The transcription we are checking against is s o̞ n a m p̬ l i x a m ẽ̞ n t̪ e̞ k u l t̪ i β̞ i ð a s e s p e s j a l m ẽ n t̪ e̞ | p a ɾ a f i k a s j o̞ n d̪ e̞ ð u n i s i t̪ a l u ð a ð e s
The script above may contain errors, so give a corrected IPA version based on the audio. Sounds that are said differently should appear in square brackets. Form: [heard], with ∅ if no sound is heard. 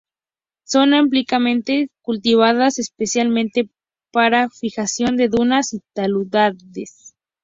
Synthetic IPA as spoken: s o̞ n a m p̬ l i [k] a m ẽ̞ n t̪ e̞ k u l t̪ i β̞ [a] ð a s e s p e s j a l m ẽ n t̪ e̞ | p a ɾ a f i [x] a s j o̞ n d̪ e̞ ð u n [a] s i t̪ a l u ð a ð e s